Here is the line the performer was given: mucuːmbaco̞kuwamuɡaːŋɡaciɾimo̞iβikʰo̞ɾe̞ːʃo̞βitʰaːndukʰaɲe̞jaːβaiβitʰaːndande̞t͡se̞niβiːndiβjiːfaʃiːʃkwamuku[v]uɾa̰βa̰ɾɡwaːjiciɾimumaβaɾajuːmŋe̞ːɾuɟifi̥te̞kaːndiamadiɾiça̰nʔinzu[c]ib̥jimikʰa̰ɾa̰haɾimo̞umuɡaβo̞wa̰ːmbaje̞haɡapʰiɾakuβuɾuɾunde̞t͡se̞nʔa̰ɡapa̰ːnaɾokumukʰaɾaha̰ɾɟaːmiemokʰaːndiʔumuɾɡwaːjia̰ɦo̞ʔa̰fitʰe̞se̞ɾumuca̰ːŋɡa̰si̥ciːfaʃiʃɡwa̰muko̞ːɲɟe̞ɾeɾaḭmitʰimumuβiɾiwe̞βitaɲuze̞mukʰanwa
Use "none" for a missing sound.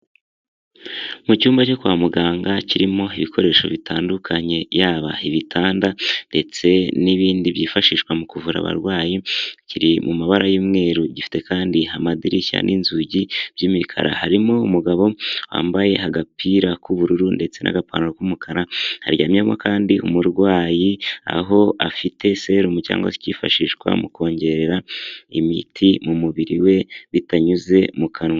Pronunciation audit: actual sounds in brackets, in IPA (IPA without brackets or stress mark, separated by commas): v, ɟ